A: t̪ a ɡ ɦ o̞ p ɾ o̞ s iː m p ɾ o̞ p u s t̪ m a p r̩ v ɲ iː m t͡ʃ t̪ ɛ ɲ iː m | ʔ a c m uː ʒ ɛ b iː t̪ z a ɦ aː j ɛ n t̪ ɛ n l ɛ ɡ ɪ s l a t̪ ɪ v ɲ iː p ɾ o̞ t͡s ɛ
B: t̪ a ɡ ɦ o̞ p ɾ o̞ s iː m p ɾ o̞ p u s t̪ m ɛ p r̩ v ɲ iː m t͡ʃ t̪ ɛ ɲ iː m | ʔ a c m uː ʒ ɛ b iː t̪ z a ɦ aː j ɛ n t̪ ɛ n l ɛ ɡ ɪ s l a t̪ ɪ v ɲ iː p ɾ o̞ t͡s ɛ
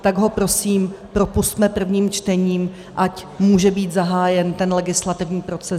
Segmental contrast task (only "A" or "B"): B